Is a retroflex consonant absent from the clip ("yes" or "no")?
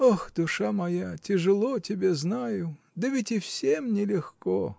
no